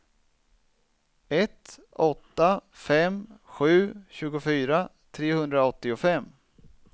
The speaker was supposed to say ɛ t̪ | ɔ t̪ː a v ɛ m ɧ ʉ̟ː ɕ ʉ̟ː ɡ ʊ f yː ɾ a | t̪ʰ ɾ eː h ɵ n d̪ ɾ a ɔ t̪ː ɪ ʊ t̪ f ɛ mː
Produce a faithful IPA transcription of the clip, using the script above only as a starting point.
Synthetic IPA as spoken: ɛ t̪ | ɔ t̪ː a f ɛ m ɧ ʉ̟ː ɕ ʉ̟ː ɡ ʊ f yː ɾ a | t̪ʰ ɾ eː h ɵ n d̪ ɾ a ɔ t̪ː ɪ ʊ f ɛ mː